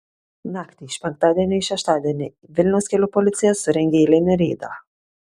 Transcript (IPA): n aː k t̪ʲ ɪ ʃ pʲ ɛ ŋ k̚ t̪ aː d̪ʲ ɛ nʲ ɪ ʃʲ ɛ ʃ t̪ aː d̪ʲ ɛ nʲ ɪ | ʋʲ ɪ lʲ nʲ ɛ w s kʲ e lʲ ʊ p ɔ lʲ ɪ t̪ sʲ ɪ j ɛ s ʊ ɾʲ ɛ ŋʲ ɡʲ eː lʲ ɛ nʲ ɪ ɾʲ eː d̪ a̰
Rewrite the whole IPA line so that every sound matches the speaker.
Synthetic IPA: n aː k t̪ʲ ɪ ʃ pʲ ɛ ŋ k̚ t̪ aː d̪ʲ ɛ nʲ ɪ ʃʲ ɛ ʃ t̪ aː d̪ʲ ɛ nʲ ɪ | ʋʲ ɪ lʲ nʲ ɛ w s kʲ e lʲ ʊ p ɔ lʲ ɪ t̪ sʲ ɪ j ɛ s ʊ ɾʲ ɛ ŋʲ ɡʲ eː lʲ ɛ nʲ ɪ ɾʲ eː d̪ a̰